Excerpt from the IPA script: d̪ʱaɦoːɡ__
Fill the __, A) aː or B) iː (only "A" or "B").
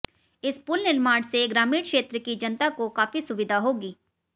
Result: B